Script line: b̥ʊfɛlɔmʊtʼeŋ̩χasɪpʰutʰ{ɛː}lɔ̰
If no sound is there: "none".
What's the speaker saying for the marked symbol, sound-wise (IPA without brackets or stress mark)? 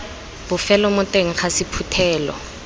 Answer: ɛː